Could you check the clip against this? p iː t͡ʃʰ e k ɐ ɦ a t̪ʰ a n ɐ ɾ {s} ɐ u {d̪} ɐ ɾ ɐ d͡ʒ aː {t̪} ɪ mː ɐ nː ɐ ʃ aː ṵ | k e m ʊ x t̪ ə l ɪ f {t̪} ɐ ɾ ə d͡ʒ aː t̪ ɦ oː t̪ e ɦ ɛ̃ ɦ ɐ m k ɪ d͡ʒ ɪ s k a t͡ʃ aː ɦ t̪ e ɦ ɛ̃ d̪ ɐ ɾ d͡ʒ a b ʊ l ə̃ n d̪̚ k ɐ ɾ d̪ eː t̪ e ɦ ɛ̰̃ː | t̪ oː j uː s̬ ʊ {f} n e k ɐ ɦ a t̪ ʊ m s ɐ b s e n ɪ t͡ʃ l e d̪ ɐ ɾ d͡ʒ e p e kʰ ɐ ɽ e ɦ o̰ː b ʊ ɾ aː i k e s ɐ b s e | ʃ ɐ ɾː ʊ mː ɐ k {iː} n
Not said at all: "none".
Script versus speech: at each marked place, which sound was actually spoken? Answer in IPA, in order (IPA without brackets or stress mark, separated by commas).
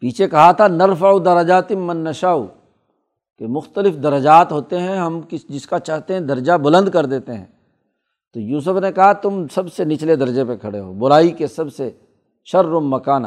f, d̪, t̪, d̪, f, aː